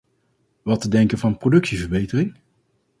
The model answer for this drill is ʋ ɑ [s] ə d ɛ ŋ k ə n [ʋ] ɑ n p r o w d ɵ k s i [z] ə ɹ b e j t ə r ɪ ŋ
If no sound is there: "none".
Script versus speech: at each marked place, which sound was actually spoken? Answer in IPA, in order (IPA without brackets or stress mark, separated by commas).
t, v, v